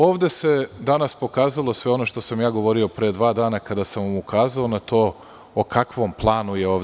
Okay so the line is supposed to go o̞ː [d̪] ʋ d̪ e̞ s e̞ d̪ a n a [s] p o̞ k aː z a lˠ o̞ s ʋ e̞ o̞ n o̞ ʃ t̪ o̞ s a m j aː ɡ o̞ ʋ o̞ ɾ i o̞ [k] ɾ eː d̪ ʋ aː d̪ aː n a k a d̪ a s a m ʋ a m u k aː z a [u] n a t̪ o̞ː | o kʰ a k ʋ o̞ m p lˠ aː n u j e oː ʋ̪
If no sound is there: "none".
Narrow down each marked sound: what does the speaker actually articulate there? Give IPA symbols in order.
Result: none, s, p, o

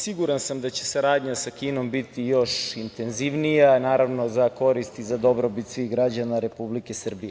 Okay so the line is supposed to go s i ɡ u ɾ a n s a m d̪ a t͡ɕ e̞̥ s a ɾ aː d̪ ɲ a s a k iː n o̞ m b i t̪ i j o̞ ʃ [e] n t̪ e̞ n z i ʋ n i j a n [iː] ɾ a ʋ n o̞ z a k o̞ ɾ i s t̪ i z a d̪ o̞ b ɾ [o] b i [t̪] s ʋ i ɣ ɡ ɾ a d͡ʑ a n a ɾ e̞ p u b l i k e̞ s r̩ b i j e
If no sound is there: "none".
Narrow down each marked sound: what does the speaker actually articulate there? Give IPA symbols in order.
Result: i, aː, o, t̪

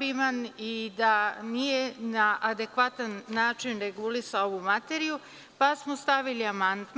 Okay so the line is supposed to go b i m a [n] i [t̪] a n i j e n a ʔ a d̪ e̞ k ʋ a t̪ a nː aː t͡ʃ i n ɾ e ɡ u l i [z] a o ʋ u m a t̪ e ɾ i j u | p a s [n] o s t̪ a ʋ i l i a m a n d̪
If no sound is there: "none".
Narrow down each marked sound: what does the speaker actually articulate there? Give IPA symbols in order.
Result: n, d̪, s, m

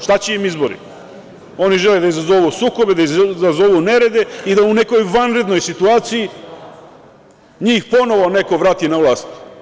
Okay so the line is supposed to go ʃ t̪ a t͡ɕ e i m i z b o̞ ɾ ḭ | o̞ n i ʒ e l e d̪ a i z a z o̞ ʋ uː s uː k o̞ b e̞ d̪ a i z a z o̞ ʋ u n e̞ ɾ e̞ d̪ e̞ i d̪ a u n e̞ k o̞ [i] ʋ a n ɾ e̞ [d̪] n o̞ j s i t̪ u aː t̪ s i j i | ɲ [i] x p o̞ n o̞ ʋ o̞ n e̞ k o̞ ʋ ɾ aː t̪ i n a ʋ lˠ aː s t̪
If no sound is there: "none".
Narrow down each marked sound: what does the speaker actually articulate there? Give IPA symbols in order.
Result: j, d̪, iː

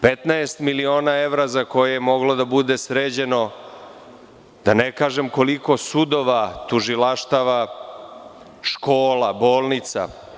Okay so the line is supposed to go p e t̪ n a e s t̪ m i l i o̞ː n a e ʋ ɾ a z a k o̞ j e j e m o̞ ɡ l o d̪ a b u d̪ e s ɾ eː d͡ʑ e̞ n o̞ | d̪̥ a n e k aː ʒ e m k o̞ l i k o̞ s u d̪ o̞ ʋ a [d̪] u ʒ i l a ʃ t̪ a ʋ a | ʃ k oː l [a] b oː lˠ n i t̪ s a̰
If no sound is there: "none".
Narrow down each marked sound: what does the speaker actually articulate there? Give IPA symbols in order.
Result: t̪, a

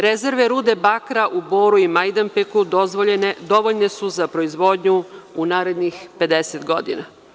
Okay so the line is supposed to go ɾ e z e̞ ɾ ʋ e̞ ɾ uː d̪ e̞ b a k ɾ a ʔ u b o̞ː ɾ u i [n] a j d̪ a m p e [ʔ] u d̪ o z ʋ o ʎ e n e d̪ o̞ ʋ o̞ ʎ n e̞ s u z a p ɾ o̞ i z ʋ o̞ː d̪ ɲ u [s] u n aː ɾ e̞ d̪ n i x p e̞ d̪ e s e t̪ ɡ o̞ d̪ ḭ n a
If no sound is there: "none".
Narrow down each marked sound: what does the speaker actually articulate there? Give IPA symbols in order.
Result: m, k, none

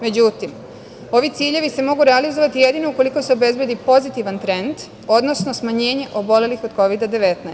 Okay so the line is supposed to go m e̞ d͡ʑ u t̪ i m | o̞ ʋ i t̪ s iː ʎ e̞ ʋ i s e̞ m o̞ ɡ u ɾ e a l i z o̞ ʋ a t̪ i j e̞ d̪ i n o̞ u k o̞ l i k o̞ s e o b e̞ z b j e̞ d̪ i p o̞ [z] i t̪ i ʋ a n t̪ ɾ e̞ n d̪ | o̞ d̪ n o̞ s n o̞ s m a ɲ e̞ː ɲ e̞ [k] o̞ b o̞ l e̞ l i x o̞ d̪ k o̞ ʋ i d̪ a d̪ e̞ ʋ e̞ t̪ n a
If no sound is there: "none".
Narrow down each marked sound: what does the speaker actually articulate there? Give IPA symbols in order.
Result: z, ʔ

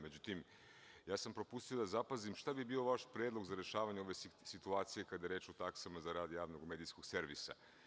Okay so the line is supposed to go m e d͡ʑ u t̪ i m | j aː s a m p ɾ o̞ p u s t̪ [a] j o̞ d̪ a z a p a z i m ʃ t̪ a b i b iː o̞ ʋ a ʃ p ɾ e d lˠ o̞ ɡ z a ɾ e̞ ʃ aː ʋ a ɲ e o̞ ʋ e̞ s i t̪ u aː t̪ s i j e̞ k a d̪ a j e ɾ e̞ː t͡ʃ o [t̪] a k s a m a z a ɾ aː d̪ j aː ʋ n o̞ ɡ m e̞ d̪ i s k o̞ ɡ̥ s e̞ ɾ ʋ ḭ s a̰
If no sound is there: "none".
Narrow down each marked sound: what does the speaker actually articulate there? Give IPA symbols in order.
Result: i, t̪

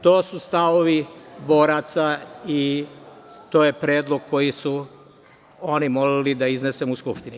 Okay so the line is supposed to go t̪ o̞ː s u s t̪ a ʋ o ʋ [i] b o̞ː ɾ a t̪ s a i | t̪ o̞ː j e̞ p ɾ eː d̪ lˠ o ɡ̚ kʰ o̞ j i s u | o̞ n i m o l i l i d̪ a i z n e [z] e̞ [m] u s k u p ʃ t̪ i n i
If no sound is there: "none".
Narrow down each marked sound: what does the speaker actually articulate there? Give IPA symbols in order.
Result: i, s, m

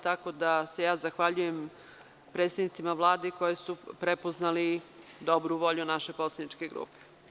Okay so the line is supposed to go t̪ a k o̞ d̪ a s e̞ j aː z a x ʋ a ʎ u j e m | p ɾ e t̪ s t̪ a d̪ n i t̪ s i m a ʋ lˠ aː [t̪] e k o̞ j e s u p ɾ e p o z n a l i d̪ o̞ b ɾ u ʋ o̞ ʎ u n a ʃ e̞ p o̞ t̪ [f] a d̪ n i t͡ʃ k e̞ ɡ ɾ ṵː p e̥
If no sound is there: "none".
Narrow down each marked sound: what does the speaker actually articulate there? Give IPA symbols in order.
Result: d̪, s

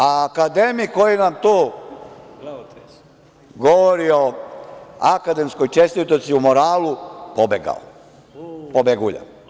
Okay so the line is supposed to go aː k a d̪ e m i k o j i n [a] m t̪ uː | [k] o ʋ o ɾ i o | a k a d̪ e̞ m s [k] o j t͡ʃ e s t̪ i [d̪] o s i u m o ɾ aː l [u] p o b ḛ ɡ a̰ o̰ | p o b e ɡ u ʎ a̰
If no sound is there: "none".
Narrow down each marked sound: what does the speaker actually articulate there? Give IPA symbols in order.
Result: a, ɡ, k, t̪, u

